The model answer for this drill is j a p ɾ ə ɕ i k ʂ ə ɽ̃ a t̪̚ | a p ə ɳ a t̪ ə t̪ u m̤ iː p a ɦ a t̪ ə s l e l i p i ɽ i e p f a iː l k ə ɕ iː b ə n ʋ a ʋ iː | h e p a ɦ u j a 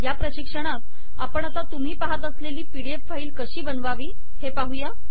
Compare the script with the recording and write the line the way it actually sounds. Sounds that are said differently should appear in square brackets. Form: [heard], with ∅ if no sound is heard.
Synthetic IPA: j a p ɾ ə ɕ i k ʂ ə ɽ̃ a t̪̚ | a p ə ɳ a t̪ [a] t̪ u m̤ iː p a ɦ a t̪ ə s l e l [iː] p i ɽ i e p f a iː l k ə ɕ iː b ə n ʋ a ʋ iː | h e p a ɦ u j a